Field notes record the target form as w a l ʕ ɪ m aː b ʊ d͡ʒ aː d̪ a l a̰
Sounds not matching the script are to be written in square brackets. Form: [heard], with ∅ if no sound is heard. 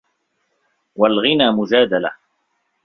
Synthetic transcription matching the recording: w a l [ɣ] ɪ [n] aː [m] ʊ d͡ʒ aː d̪ a l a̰